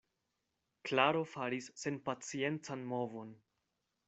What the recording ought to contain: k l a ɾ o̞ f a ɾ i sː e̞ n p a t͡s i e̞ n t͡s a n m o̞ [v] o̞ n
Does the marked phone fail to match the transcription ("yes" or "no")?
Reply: no